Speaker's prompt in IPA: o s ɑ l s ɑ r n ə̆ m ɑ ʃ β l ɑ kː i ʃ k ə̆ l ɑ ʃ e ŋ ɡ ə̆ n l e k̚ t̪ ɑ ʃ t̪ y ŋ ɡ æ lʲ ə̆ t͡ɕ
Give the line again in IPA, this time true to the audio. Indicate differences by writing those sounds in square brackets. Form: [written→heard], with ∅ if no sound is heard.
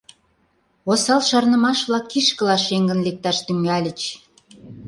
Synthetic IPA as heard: o s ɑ l [s→ʃ] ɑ r n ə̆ m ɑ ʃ β l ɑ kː i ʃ k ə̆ l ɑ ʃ e ŋ ɡ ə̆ n l e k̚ t̪ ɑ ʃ t̪ y ŋ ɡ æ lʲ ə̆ t͡ɕ